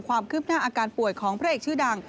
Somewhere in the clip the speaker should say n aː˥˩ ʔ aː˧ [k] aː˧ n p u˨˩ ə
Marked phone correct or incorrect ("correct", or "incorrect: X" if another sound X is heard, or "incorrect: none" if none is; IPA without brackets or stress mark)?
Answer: correct